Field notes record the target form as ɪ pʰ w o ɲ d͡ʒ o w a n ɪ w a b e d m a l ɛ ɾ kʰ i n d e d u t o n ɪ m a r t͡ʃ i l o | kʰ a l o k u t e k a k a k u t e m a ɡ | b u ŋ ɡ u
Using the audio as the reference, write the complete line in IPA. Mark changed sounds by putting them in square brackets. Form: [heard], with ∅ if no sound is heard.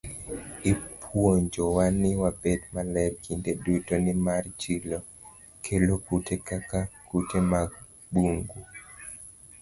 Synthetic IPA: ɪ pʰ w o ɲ d͡ʒ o w a n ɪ w a b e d m a l ɛ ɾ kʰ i n d e d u t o n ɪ m a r t͡ʃ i l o | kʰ [e] l o k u t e k a k a k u t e m a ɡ | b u ŋ ɡ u